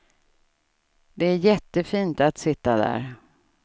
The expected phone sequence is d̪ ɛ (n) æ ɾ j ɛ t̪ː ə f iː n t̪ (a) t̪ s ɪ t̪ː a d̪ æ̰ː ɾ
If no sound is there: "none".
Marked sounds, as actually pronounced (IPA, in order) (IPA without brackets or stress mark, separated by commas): none, a